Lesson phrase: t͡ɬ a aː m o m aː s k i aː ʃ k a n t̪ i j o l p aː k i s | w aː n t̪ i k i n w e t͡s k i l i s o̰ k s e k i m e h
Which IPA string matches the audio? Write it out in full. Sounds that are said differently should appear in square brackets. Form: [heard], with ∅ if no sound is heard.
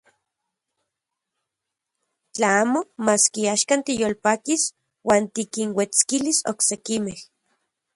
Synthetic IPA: t͡ɬ a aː m o m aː s k i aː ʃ k a n t̪ i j o l p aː k i s | w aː n t̪ i k i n w e t͡s k i l i s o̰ k s e k i m e h